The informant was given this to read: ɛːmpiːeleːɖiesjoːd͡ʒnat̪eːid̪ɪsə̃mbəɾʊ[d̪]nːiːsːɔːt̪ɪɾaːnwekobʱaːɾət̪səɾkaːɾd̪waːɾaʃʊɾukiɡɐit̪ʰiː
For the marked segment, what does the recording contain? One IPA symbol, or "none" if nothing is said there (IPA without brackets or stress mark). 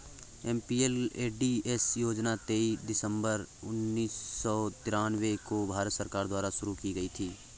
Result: none